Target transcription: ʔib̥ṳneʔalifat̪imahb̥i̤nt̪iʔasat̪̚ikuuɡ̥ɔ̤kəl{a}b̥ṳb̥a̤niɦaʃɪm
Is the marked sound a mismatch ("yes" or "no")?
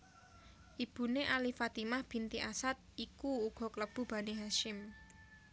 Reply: yes